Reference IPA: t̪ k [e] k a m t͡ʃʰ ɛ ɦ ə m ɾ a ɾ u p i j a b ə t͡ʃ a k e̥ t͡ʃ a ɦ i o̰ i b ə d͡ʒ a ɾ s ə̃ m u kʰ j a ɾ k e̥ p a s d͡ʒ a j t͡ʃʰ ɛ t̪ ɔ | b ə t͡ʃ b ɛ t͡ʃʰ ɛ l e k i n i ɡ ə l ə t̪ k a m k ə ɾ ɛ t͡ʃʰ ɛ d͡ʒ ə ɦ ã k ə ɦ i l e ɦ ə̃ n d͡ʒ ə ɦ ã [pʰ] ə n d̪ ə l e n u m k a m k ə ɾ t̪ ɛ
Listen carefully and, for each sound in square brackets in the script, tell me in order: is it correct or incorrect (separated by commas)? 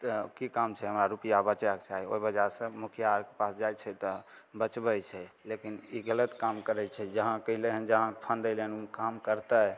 incorrect, correct